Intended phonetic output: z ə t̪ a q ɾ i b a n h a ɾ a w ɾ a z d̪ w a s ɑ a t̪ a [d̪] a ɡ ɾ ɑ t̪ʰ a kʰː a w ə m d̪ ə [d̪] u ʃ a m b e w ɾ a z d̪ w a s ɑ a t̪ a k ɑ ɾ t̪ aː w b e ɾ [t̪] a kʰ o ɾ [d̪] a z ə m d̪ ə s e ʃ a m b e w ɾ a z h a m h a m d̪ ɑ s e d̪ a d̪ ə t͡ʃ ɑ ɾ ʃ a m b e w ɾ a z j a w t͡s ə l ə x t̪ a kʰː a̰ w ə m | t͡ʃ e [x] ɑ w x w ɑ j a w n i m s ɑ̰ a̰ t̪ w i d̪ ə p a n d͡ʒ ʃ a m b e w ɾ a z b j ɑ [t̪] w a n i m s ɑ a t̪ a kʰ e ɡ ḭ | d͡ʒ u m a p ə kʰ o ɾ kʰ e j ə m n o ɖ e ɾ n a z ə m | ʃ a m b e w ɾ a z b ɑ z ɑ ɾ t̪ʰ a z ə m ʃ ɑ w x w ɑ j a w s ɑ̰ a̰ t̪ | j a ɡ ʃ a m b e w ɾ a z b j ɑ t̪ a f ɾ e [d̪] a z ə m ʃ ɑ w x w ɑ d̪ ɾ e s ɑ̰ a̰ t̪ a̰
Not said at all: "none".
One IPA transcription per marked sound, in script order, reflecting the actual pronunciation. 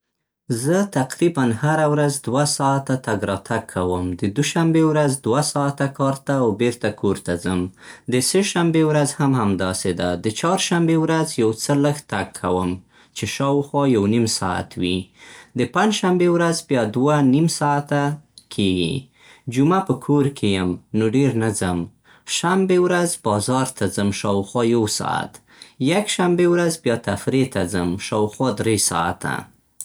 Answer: t̪, d̪, t̪, t̪, ʃ, d̪, t̪

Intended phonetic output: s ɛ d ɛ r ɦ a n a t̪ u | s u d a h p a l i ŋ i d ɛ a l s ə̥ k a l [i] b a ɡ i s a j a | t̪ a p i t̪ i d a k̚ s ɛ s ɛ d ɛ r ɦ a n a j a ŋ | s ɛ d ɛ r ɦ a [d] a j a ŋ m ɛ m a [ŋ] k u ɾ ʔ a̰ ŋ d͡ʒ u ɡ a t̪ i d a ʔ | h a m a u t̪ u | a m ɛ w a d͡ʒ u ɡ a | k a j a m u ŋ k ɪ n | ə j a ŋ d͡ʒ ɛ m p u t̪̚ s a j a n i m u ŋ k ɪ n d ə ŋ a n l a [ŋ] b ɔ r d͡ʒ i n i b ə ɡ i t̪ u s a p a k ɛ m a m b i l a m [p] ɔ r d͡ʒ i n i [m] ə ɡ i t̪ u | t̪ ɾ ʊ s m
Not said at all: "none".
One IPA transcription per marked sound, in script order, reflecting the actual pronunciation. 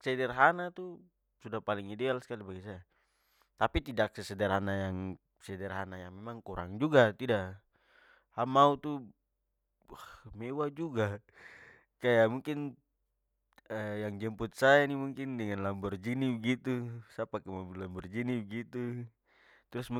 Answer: i, n, ŋ, m, b, b

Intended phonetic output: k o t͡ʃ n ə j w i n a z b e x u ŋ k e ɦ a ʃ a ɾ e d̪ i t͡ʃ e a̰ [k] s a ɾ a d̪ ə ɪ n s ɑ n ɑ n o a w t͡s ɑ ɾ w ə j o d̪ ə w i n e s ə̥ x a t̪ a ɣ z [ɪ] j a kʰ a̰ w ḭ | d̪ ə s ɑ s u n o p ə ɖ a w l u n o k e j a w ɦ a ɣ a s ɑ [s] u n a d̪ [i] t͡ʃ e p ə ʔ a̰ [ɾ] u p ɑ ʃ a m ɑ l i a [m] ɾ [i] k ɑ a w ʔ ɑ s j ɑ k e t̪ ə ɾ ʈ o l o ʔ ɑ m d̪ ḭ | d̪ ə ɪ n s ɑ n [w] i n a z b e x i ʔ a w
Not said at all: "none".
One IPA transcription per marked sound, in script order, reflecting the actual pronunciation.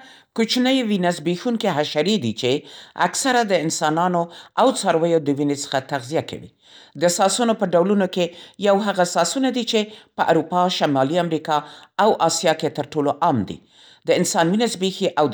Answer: k, i, s, i, ɾ, m, i, w

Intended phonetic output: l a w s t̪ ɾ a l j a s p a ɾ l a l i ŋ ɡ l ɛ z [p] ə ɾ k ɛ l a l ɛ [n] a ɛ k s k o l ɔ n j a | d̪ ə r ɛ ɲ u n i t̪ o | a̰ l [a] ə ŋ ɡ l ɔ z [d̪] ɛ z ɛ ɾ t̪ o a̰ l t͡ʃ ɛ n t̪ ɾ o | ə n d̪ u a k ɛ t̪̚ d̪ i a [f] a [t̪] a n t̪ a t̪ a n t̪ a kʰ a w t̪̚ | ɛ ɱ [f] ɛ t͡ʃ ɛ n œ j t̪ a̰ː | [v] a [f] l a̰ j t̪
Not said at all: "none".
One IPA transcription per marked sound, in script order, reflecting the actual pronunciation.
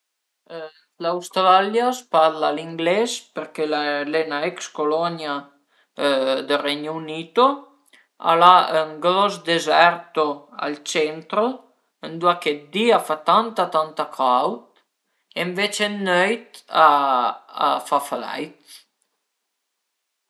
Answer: p, n, a, d̪, f, t̪, v, f, f

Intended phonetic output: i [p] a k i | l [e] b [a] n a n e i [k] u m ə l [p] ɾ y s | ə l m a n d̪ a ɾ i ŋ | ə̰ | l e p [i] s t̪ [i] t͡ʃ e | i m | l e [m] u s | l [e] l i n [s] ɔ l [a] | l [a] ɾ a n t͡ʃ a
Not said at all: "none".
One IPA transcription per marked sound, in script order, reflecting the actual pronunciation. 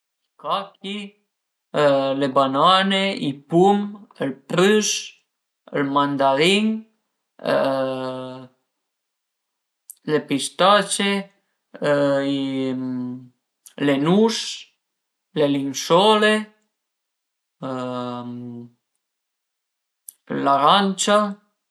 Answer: k, e, a, p, p, i, a, n, e, s, e, a

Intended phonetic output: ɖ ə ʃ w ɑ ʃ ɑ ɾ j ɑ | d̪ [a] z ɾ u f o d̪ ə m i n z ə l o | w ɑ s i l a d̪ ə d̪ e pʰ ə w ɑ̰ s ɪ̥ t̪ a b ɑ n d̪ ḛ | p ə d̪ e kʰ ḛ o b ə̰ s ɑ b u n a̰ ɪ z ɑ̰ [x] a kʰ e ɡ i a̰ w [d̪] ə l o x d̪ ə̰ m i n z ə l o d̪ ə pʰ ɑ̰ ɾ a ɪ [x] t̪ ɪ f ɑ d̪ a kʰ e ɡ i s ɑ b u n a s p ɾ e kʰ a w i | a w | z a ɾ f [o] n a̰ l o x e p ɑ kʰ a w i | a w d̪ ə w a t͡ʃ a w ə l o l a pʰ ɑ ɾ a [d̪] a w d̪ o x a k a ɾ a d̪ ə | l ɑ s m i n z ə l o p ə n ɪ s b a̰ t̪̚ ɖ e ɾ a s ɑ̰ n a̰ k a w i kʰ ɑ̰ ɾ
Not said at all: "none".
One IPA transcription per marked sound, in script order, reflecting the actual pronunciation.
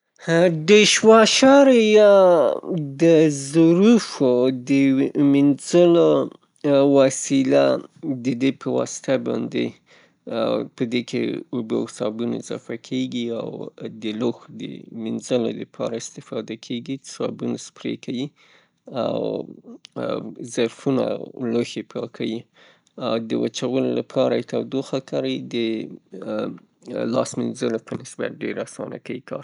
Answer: ə, f, d̪, s, u, t̪

